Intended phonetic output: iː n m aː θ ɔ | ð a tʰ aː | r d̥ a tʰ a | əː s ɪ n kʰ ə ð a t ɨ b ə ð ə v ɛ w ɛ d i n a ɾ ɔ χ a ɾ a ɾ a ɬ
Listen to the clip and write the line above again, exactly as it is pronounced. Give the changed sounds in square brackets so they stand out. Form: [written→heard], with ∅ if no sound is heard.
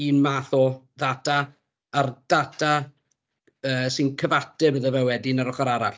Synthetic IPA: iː n m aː θ ɔ | ð a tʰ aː | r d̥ a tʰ a | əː s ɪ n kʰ ə [ð→v] a t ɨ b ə ð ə v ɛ w ɛ d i n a ɾ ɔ χ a ɾ a ɾ a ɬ